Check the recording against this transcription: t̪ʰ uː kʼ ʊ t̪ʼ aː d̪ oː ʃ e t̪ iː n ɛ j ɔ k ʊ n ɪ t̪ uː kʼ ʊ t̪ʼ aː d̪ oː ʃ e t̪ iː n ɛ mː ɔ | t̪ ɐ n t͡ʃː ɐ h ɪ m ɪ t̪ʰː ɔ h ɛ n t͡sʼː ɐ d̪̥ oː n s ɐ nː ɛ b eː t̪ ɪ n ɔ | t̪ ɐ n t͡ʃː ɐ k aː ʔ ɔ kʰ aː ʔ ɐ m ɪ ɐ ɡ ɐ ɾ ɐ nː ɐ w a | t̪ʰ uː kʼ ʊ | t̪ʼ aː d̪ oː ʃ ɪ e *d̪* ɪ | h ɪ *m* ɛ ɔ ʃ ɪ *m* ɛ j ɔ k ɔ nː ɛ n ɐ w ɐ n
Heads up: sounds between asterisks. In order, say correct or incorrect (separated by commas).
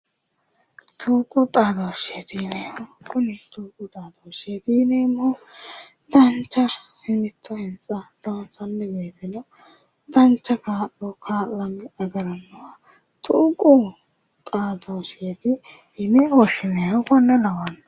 incorrect, incorrect, incorrect